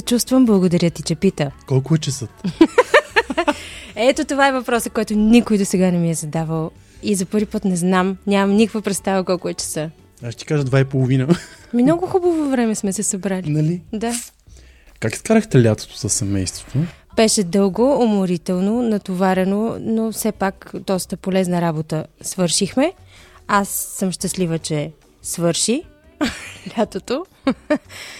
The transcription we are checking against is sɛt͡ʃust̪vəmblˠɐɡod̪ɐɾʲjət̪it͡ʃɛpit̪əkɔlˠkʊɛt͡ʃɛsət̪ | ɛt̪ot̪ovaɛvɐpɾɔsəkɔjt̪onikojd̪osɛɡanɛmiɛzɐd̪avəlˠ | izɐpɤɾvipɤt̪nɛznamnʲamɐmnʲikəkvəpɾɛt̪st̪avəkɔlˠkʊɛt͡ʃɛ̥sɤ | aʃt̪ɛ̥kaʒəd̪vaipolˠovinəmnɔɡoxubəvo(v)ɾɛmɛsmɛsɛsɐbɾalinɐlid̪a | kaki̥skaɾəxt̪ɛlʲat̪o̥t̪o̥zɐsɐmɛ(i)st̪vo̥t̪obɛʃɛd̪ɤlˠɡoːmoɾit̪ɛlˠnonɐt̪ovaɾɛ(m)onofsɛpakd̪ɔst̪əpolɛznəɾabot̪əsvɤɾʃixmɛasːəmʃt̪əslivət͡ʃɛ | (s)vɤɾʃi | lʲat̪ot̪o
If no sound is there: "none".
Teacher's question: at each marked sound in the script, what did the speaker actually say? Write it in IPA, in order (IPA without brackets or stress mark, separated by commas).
v, j, n, s